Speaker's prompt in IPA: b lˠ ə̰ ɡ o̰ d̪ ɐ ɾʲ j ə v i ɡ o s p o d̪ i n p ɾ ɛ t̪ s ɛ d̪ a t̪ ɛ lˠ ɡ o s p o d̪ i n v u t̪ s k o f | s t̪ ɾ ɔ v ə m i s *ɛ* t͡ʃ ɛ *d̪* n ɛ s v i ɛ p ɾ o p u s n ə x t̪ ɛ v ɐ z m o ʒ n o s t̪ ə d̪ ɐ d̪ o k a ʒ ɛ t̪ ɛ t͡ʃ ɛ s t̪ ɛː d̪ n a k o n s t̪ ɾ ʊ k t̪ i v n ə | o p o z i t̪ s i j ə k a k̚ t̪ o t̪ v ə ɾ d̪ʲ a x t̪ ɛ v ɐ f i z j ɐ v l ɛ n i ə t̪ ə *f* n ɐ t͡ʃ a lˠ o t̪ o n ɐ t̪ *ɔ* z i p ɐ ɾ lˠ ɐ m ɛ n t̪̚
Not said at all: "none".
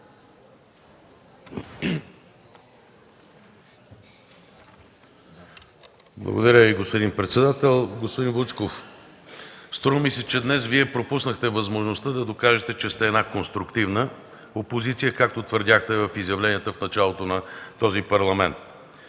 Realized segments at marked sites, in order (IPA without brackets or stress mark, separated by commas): ɛ, d̪, f, ɔ